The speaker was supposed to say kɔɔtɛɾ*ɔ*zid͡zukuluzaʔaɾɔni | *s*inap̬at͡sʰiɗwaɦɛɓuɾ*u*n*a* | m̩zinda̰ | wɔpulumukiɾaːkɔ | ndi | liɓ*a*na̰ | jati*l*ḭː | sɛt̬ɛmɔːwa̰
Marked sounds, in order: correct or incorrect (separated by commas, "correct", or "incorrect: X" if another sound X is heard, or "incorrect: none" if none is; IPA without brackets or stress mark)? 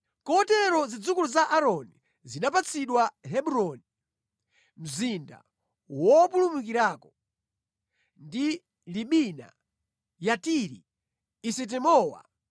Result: correct, incorrect: z, incorrect: ɔ, incorrect: i, incorrect: i, incorrect: ɾ